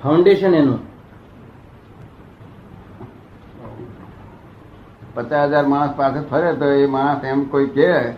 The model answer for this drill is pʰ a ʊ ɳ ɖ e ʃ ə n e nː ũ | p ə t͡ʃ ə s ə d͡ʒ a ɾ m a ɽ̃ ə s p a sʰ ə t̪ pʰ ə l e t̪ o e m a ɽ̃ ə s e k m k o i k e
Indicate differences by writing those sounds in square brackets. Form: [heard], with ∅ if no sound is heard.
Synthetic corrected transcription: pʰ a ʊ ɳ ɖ e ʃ ə n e [n] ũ | p ə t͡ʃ [a] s ə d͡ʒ a ɾ m a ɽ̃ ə s p a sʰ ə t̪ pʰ ə [ɾ] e t̪ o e m a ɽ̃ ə s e [∅] m k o i k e